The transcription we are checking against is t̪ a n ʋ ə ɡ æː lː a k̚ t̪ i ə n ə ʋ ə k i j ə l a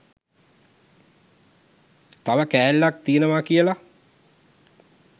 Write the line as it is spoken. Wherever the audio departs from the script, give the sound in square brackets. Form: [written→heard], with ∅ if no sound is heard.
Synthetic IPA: t̪ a [n→∅] ʋ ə [ɡ→k] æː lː a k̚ t̪ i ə n ə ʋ [ə→a] k i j ə l a